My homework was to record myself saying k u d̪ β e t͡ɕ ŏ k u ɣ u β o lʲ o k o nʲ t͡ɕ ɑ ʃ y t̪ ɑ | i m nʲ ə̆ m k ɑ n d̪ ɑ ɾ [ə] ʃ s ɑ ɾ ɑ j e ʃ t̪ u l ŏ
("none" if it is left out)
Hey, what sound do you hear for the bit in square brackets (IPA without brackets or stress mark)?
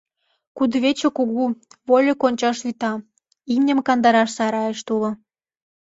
ɑ